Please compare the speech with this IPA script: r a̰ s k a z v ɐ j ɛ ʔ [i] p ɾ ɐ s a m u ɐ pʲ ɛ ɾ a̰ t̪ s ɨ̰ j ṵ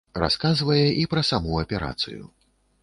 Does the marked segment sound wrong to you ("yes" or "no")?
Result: no